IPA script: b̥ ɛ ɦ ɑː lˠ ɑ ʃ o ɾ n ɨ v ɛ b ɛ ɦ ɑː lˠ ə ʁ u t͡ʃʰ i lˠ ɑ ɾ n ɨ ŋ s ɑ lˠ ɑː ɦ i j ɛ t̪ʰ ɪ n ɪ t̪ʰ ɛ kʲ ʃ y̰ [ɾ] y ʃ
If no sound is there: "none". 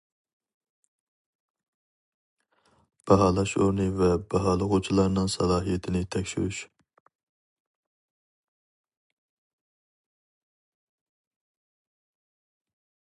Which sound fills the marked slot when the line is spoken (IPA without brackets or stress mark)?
ɾ